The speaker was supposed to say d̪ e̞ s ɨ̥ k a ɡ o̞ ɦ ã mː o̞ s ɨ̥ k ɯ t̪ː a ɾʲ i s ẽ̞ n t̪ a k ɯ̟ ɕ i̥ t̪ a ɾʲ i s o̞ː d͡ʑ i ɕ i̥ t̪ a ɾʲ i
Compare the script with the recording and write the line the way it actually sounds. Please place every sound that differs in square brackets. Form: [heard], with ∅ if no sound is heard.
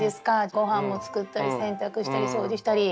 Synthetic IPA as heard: d̪ e̞ s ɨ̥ k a ɡ o̞ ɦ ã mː o̞ [t͡s] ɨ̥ k ɯ t̪ː a ɾʲ i s ẽ̞ n t̪ a k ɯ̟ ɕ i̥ t̪ a ɾʲ i s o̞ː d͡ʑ i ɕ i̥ t̪ a ɾʲ i